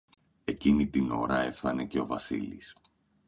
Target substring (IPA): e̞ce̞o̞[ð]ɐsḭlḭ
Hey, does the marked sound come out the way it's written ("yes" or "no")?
no